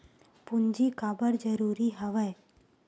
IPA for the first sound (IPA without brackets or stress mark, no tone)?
p